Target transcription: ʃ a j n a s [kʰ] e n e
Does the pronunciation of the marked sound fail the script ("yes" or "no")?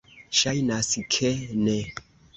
no